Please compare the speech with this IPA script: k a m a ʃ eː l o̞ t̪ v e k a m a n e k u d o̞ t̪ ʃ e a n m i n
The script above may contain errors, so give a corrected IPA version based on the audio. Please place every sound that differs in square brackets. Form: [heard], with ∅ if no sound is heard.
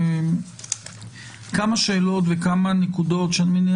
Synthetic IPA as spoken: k a m a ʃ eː l o̞ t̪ v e k a m a n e k u d o̞ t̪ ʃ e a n m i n